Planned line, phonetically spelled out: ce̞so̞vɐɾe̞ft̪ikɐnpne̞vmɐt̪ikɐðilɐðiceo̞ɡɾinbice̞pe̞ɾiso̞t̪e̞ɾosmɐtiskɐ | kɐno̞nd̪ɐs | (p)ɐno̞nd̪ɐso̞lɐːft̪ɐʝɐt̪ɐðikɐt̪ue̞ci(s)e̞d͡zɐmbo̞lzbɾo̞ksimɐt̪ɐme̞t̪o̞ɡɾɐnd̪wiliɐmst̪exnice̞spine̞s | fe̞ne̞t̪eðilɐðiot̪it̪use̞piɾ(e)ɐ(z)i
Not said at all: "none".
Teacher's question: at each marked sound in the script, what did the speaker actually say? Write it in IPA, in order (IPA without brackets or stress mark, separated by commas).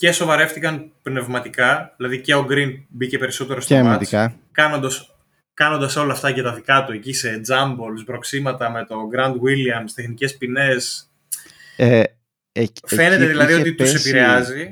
k, s, e, z